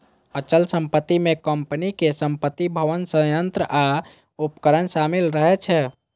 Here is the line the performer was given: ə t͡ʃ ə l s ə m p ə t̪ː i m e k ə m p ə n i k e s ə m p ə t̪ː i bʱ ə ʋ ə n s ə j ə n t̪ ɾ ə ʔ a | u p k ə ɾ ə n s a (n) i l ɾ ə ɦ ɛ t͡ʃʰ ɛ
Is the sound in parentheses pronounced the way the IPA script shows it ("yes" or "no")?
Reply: no